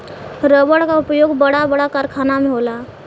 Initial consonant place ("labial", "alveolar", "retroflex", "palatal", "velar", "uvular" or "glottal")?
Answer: alveolar